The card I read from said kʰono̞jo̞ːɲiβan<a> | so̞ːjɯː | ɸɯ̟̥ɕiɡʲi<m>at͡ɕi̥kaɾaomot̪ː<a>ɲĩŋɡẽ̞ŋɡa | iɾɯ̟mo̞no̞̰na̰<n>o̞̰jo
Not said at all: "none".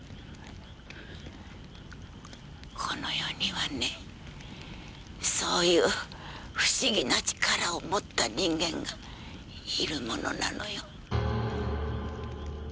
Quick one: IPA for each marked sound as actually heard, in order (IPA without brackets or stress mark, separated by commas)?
e, n, a, n